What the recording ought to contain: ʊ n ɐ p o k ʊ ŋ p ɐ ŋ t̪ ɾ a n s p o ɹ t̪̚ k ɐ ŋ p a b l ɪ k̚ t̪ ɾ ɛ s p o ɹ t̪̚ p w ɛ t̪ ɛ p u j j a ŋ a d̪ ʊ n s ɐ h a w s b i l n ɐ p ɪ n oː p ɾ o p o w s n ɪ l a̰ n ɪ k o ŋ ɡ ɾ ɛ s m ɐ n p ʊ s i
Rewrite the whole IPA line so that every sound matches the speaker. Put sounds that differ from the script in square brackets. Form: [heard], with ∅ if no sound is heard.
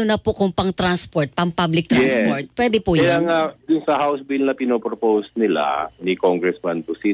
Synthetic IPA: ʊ n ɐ p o k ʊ ŋ p ɐ ŋ t̪ ɾ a n s p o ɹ t̪̚ [p] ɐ ŋ p a b l ɪ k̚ t̪ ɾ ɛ s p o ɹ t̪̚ p w ɛ [d̪] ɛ p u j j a ŋ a d̪ ʊ n s ɐ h a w s b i l n ɐ p ɪ n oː p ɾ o p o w s n ɪ l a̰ n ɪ k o ŋ ɡ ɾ ɛ s m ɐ n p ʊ s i